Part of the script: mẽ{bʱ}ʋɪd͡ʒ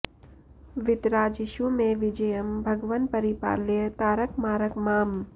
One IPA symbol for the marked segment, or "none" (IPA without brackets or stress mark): none